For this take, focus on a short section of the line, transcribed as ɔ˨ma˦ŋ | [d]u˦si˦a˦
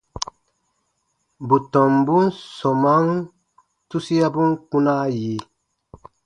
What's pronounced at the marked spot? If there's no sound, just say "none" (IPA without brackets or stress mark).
t